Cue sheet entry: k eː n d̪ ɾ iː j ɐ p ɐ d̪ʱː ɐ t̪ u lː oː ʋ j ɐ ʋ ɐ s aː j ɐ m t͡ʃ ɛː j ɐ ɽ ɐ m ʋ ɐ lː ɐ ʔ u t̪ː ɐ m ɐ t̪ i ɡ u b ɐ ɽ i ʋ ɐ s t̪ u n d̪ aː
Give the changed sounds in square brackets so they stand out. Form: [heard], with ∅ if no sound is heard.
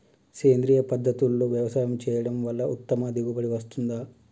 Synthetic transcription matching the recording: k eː n d̪ ɾ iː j ɐ p ɐ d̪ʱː ɐ t̪ u lː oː ʋ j ɐ ʋ ɐ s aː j ɐ m t͡ʃ ɛː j ɐ ɽ ɐ m ʋ ɐ lː ɐ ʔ u t̪ː ɐ m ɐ [d̪] i ɡ u b ɐ ɽ i ʋ ɐ s t̪ u n d̪ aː